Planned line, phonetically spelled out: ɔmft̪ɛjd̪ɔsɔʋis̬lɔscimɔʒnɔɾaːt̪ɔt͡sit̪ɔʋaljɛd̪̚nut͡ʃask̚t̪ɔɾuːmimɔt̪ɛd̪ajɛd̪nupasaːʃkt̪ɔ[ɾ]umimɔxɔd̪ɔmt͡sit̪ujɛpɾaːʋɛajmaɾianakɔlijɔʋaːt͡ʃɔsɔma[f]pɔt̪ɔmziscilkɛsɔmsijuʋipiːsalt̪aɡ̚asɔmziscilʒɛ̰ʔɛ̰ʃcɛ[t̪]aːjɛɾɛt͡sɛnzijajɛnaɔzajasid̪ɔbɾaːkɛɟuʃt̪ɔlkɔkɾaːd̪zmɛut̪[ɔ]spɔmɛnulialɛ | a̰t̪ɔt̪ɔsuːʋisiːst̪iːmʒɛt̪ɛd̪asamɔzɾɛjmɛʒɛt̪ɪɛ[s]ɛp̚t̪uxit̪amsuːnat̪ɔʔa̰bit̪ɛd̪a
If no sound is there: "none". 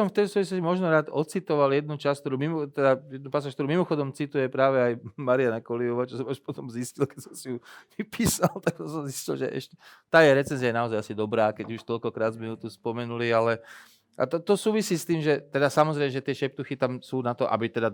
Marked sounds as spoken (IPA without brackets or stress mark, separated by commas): ɾ, ʃ, t̪, u, ʃ